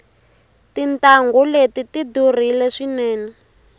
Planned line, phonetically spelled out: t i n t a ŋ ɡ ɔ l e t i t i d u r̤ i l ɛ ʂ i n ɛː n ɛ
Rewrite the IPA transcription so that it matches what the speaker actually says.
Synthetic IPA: t i n t a ŋ ɡ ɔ l e t i t i d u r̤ i l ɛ ʂ i n ɛː n ɛ